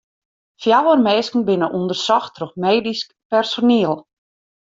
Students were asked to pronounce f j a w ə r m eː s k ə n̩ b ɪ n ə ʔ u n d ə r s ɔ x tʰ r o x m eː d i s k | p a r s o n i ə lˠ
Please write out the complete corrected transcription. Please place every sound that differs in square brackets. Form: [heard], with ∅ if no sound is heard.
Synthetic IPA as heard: f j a w ə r m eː s k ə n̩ b ɪ n ə ʔ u n d ə r s ɔ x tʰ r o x m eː d i s k | p [ɛ] r s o n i ə lˠ